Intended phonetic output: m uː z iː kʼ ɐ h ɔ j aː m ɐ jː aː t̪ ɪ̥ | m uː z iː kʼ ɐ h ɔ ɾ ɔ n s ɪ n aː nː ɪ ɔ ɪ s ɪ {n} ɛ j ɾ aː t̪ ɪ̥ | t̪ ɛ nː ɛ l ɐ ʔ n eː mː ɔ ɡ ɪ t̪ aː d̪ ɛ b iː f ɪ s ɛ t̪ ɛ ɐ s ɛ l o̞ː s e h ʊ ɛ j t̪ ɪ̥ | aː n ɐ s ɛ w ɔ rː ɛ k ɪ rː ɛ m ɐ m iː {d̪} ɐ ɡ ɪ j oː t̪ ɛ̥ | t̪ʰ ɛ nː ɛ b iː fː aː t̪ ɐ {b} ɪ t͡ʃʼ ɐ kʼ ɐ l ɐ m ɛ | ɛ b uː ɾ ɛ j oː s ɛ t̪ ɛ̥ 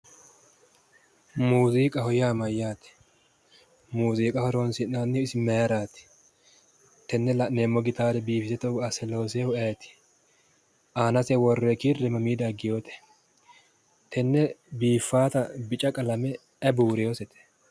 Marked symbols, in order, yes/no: no, yes, yes

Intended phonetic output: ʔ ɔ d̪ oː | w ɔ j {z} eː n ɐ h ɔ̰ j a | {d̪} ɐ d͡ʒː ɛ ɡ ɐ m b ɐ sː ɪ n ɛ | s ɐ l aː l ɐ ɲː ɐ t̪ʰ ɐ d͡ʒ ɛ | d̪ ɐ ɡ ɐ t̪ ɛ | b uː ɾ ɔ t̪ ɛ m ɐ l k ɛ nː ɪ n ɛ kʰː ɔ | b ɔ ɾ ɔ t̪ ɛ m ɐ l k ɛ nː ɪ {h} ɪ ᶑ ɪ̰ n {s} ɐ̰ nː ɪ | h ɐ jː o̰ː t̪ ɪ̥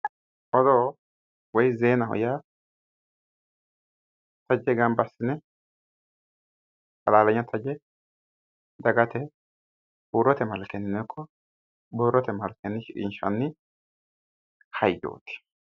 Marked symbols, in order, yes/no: yes, no, no, no

